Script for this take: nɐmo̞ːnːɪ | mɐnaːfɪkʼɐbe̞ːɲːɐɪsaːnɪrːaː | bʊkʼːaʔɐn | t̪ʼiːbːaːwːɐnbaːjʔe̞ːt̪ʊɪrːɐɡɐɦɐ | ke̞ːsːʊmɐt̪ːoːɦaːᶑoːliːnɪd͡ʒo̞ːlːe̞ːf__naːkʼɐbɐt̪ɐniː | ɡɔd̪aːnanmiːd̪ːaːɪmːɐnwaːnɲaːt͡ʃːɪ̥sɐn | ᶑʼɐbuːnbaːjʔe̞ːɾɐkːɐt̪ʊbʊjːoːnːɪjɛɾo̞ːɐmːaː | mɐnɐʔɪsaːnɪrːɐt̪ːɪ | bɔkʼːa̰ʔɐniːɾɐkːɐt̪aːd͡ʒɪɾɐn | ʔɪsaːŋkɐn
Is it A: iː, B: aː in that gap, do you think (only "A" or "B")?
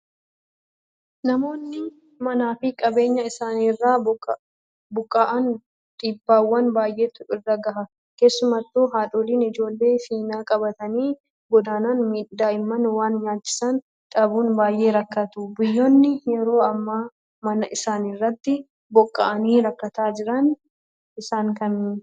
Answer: A